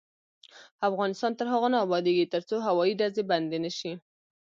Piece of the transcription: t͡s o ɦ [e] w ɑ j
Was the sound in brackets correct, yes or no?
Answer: no